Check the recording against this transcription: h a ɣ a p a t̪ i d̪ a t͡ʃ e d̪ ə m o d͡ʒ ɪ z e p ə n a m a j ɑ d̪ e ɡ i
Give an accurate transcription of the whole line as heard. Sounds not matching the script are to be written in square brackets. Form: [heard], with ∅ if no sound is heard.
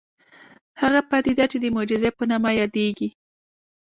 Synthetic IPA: h a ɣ a p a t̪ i d̪ a t͡ʃ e d̪ ə m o d͡ʒ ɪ z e p ə n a m a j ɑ d̪ e ɡ i